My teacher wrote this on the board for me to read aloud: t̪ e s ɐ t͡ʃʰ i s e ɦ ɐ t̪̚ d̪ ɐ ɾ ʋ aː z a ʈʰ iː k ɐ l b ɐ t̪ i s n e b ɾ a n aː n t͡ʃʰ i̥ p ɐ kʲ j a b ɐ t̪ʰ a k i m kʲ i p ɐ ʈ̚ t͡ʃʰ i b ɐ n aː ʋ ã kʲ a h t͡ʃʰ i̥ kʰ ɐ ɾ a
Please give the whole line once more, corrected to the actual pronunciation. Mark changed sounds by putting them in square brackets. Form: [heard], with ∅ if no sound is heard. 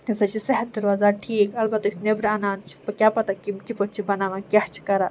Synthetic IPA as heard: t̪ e s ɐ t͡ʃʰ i s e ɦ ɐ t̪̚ d̪ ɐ ɾ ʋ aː z a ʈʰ iː k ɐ l b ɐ t̪ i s n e b ɾ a n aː n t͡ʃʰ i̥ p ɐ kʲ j a [p] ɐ [t̪] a k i m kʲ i p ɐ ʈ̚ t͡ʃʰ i b ɐ n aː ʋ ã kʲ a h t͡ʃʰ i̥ [k] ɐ ɾ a